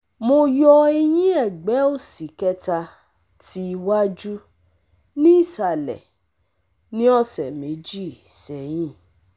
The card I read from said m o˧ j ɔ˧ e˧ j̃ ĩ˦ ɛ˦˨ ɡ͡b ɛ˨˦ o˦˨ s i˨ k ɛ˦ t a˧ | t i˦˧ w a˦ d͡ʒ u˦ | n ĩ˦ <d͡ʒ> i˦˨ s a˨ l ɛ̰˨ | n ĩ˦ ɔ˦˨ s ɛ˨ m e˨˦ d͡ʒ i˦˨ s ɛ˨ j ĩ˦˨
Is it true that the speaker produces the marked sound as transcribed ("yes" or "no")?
no